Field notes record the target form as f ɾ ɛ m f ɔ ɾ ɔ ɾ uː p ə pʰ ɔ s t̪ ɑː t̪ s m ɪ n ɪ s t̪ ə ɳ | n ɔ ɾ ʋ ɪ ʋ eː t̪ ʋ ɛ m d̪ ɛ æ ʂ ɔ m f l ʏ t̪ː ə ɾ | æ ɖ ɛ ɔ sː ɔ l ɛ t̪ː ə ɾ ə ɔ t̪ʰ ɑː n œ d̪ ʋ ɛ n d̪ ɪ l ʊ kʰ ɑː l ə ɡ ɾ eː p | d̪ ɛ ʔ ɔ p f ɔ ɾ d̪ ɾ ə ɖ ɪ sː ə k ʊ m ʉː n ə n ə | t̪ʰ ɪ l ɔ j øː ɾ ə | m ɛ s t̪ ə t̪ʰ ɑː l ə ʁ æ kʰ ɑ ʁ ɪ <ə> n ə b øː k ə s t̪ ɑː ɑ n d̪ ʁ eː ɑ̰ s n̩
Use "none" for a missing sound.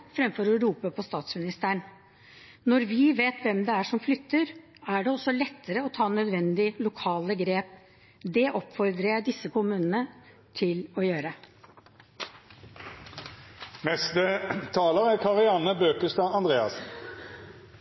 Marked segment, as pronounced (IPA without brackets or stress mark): ɑ